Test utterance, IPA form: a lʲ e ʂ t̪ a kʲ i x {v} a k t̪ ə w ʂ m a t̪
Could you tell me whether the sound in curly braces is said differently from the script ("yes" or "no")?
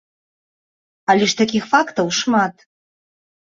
yes